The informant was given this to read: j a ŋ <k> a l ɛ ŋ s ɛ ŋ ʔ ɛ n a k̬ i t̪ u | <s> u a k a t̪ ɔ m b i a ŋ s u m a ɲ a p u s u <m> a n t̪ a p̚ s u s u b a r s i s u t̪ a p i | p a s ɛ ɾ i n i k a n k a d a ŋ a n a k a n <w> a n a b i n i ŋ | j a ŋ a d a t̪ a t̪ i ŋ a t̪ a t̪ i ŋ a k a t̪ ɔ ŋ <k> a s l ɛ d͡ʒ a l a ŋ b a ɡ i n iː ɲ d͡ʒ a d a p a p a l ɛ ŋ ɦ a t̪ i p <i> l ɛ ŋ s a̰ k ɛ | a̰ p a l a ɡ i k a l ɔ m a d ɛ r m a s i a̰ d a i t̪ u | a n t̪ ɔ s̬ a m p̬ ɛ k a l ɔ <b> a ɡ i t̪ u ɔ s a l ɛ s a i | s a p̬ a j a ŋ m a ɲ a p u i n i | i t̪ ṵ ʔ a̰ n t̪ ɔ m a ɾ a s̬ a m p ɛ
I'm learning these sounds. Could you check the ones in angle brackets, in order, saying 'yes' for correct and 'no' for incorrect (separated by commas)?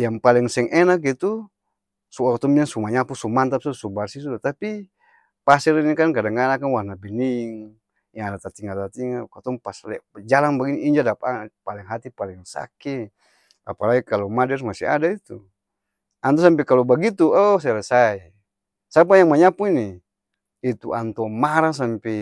no, yes, yes, yes, no, no, yes